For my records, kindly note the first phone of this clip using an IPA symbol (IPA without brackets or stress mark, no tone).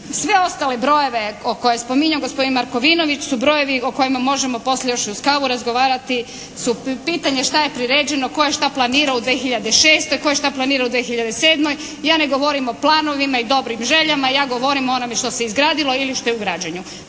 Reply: s